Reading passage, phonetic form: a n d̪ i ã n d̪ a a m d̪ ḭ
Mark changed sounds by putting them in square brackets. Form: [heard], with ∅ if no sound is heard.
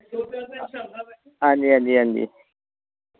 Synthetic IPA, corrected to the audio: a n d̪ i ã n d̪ [i] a [n] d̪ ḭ